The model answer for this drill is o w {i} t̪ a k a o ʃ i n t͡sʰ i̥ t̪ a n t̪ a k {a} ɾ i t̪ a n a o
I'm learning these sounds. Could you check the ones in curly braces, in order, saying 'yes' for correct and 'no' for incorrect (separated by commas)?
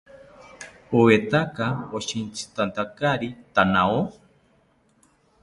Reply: no, yes